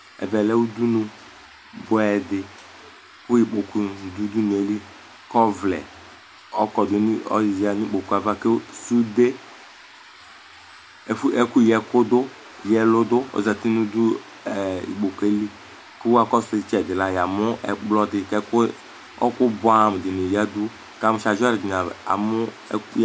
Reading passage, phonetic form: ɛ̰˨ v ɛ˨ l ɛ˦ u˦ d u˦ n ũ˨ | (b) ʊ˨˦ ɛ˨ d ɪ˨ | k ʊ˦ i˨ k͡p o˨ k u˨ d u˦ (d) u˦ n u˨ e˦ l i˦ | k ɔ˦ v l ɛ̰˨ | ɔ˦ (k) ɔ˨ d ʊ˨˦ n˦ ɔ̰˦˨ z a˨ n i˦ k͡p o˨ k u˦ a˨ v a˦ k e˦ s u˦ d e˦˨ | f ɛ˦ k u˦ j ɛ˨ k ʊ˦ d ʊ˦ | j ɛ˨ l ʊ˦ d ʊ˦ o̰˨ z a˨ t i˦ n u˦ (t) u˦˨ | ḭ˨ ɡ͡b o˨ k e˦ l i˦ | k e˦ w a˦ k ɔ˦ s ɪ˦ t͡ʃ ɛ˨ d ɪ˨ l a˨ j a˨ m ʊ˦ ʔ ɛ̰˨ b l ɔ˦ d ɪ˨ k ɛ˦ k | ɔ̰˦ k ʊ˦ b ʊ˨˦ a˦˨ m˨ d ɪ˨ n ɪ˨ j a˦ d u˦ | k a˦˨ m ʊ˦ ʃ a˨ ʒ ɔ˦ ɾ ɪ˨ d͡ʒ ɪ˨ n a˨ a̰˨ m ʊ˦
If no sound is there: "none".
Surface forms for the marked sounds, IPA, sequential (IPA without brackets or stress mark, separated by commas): b, d, k, d